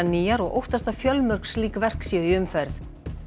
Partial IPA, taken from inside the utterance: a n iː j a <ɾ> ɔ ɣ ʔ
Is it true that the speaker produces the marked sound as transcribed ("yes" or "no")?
yes